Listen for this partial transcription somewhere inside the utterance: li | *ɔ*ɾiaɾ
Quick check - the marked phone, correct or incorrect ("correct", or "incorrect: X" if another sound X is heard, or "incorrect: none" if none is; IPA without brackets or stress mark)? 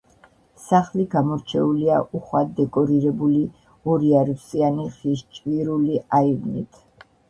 correct